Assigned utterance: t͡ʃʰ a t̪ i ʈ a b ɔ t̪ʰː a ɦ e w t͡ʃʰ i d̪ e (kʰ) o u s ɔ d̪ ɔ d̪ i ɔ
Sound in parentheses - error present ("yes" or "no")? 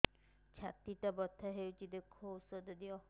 no